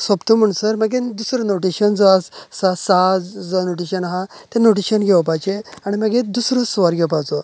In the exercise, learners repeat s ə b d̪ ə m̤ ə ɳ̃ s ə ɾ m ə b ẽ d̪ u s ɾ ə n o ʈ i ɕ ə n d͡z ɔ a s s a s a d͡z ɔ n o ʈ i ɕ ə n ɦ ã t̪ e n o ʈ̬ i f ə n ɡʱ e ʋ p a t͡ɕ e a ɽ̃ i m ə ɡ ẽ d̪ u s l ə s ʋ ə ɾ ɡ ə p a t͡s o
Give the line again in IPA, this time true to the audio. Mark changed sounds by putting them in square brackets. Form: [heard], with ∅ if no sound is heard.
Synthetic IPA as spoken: s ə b [t̪] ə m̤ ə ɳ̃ s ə ɾ m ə [ɡ] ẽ d̪ u s ɾ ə n o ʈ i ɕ ə n d͡z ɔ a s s a s a d͡z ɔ n o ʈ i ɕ ə n ɦ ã t̪ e n o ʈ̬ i [ɕ] ə n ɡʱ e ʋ p a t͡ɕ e a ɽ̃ i m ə ɡ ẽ d̪ u s [ɾ] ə s ʋ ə ɾ ɡ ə p a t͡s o

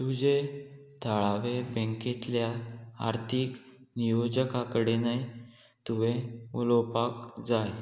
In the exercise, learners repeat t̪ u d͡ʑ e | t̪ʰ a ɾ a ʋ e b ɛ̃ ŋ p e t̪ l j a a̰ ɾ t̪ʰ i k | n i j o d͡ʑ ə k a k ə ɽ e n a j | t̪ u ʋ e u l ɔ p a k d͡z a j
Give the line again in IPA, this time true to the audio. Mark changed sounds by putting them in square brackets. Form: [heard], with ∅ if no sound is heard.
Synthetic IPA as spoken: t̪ u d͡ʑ e | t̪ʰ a [ɭ] a ʋ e b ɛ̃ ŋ [k] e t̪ l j a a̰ ɾ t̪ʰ i k | n i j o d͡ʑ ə k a k ə ɽ e n a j | t̪ u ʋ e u l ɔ p a k d͡z a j

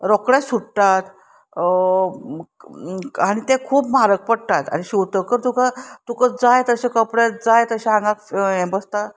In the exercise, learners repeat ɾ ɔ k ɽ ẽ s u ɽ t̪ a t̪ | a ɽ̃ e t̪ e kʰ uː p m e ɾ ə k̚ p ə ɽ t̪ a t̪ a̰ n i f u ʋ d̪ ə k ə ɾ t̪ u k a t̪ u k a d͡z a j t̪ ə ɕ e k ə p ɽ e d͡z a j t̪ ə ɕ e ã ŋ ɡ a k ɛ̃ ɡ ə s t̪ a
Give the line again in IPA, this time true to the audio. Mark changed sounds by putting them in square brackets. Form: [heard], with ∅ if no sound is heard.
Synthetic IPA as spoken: ɾ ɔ k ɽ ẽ s u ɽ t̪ a t̪ | a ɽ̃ [i] t̪ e kʰ uː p m [a] ɾ ə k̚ p ə ɽ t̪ a t̪ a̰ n i [ɕ] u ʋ [t̪] ə k ə ɾ t̪ u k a t̪ u k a d͡z a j t̪ ə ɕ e k ə p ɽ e d͡z a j t̪ ə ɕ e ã ŋ ɡ a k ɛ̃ [b] ə s t̪ a

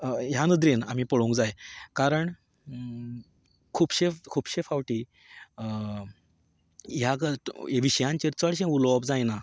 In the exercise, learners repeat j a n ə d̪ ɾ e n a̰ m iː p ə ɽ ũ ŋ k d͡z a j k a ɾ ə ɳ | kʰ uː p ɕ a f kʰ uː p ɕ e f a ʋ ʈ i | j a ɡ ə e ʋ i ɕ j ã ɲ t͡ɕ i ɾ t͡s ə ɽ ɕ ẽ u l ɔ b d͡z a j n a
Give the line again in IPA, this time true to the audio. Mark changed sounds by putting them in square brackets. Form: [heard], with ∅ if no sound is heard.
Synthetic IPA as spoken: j a n ə d̪ ɾ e n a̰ m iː p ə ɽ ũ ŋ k d͡z a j k a ɾ ə ɳ | kʰ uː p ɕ [e] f kʰ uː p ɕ e f a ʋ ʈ i | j a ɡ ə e ʋ i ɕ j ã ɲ t͡ɕ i ɾ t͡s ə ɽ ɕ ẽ u l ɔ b d͡z a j n a

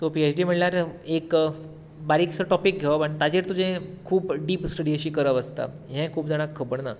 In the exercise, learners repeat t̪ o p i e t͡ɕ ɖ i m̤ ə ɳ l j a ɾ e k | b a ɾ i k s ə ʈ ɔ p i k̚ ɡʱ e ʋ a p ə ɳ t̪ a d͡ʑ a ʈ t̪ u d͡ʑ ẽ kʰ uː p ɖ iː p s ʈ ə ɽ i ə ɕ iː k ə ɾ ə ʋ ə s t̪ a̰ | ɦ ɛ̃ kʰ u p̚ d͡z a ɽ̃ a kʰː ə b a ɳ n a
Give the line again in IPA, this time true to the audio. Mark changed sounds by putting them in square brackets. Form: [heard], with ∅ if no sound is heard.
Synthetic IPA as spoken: t̪ o p i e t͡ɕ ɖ i m̤ ə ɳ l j a ɾ e k | b a ɾ i k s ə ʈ ɔ p i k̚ ɡʱ e ʋ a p ə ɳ t̪ a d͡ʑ [e] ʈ t̪ u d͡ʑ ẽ kʰ uː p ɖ iː p s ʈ ə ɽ i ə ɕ iː k ə ɾ ə ʋ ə s t̪ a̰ | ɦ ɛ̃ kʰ [uː] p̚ d͡z a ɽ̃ a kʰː ə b [ə] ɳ n a

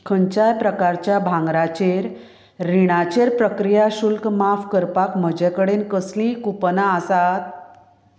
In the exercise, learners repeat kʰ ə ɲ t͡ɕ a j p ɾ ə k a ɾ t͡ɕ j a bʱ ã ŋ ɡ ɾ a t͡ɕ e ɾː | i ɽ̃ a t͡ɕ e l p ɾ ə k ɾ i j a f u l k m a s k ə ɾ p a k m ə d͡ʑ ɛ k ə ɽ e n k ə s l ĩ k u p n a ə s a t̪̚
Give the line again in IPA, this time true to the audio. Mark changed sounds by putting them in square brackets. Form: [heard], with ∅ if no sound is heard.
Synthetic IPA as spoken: kʰ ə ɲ t͡ɕ a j p ɾ ə k a ɾ t͡ɕ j a bʱ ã ŋ ɡ ɾ a t͡ɕ e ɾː | i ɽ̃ a t͡ɕ e [ɾ] p ɾ ə k ɾ i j a [ɕ] u l k m a [f] k ə ɾ p a k m ə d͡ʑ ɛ k ə ɽ e n k ə s l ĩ k u p n a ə s a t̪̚

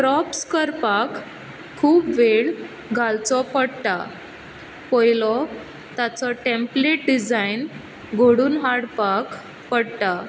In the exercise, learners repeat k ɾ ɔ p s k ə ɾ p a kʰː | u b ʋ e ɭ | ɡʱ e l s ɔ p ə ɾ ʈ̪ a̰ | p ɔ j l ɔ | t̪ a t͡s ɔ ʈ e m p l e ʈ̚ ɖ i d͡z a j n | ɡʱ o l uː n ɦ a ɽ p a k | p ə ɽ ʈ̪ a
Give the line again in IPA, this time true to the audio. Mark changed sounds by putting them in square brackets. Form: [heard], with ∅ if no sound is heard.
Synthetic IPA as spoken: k ɾ ɔ p s k ə ɾ p a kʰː | [uː] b ʋ e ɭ | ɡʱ [a] l [t͡s] ɔ p ə [ɽ] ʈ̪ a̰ | p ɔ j l ɔ | t̪ a t͡s ɔ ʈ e m p l e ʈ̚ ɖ i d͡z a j n | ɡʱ o [ɽ] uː n ɦ a ɽ p a k | p ə ɽ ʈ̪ a

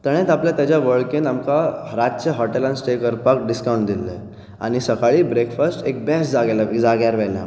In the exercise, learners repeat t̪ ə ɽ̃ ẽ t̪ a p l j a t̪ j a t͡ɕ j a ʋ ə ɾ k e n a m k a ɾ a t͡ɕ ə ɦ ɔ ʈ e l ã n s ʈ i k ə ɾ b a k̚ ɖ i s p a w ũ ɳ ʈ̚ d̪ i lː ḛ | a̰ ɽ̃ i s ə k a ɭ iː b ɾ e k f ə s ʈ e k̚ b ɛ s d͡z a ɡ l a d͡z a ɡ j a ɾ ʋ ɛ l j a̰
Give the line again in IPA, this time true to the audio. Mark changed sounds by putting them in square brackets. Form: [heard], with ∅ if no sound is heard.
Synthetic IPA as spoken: t̪ ə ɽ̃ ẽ t̪ a p l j a t̪ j a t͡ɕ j a ʋ ə [ɭ] k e n a m k a ɾ a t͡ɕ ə ɦ ɔ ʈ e l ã n s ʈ [e] k ə ɾ [p] a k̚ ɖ i s [k] a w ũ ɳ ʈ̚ d̪ i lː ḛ | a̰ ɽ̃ i s ə k a ɭ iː b ɾ e k f ə s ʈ e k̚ b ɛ s d͡z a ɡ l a d͡z a ɡ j a ɾ ʋ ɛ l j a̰

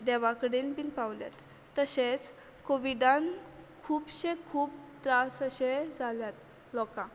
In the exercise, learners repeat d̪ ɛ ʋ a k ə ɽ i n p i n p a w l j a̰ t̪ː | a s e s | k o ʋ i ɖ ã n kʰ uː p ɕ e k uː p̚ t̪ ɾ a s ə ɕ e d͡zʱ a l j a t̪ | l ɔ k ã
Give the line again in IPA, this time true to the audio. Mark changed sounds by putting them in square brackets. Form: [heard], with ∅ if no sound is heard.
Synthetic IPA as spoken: d̪ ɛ ʋ a k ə ɽ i n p i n p a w l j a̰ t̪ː | [ə] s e [t͡s] | k o ʋ i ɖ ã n kʰ uː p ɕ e [kʰ] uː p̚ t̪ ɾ a s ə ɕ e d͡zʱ a l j a t̪ | l ɔ k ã

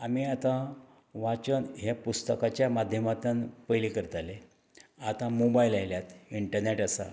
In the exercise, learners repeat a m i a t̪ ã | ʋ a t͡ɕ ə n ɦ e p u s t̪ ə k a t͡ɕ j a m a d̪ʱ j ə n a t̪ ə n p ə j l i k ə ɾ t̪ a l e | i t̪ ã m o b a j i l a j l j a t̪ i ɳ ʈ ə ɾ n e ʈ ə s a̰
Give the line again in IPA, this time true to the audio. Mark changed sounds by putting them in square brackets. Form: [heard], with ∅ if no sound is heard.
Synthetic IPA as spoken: a m i a t̪ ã | ʋ a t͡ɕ ə n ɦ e p u s t̪ ə k a t͡ɕ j a m a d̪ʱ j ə [m] a t̪ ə n p ə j l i k ə ɾ t̪ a l e | [a] t̪ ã m o b a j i l a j l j a t̪ i ɳ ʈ ə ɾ n e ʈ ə s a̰

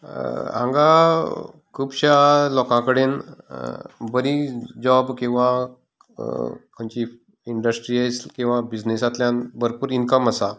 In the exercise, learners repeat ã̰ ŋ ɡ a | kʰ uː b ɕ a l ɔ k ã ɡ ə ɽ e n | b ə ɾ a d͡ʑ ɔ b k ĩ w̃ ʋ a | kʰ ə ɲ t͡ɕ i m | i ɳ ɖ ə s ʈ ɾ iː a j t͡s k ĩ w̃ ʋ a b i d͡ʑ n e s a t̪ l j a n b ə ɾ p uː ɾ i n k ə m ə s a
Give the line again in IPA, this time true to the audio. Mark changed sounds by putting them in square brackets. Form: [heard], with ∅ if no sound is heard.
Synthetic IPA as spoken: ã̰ ŋ ɡ a | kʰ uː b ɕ a l ɔ k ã [k] ə ɽ e n | b ə ɾ [i] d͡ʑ ɔ b k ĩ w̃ ʋ a | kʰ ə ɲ t͡ɕ i [∅] | i ɳ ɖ ə s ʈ ɾ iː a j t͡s k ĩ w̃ ʋ a b i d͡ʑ n e s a t̪ l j a n b ə ɾ p uː ɾ i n k ə m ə s a

